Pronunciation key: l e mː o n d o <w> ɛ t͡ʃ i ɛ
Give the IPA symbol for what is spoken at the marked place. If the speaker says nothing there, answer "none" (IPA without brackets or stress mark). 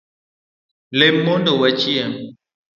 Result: w